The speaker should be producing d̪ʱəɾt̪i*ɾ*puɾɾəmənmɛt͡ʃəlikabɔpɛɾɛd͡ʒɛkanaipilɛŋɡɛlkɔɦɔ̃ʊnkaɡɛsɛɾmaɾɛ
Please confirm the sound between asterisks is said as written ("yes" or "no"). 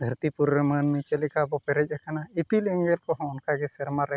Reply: no